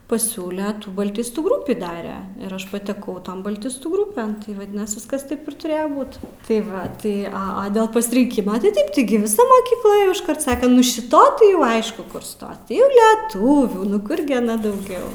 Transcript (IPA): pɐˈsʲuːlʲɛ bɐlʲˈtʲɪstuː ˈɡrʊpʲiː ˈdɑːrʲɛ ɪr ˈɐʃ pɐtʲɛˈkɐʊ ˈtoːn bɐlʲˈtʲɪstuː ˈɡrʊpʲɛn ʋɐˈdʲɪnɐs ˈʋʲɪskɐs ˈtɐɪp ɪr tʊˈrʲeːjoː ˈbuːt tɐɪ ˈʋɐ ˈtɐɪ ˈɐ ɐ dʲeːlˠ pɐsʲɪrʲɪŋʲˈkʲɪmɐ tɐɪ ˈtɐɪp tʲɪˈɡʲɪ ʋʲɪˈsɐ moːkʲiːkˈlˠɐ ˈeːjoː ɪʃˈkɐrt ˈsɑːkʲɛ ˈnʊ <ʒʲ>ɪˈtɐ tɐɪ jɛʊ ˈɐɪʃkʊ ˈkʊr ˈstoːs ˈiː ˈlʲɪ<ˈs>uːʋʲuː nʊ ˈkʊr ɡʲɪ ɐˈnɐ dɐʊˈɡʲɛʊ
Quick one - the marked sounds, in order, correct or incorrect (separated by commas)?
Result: incorrect, incorrect